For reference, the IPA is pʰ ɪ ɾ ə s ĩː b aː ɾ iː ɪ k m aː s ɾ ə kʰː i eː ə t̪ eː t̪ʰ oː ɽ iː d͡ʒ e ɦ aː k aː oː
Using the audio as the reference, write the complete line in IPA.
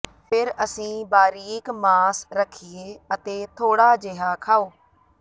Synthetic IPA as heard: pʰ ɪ ɾ ə s ĩː b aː ɾ iː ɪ k m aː s ɾ ə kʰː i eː ə t̪ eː t̪ʰ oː ɽ aː d͡ʒ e ɦ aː kʰ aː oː